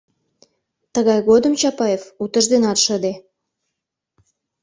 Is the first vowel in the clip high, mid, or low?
mid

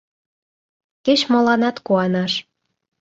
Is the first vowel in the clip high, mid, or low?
mid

